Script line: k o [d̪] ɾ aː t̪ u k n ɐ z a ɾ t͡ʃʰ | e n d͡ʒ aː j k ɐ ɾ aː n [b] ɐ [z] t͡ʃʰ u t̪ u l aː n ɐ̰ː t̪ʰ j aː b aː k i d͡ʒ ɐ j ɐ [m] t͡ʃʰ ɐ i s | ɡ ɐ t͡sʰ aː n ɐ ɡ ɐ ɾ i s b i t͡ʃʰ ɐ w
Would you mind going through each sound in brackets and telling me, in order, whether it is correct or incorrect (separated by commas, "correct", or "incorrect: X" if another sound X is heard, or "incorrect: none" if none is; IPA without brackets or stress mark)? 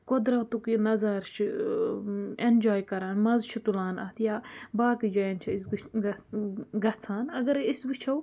correct, incorrect: m, correct, incorrect: n